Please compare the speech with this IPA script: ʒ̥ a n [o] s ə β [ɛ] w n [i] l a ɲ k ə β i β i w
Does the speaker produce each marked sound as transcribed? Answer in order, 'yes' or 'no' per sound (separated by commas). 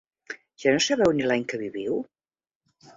yes, yes, yes